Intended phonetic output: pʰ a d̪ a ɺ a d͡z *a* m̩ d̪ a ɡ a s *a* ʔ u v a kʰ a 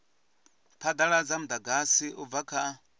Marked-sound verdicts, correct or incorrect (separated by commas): correct, incorrect